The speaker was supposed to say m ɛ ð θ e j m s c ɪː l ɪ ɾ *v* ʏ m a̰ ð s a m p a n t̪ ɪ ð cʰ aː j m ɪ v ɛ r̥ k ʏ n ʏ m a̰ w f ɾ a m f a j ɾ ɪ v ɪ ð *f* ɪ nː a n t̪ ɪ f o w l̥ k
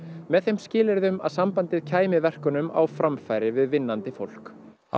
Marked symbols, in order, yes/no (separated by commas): no, no